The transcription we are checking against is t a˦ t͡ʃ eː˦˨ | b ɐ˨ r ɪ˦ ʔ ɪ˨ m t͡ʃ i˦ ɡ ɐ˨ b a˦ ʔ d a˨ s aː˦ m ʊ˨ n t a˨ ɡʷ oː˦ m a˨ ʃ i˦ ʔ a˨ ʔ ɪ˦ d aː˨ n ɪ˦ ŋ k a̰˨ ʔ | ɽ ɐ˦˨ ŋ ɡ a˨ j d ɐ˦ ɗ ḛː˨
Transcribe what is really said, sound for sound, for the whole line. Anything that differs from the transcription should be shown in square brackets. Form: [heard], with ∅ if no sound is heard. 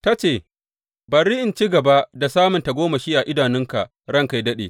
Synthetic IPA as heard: t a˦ t͡ʃ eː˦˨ | b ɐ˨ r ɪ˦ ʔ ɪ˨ [n] t͡ʃ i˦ ɡ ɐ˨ b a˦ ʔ d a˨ s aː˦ m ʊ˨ n t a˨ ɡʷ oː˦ m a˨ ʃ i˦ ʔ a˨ ʔ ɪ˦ d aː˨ n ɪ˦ ŋ k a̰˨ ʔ | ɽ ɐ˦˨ ŋ [k] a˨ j d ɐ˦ ɗ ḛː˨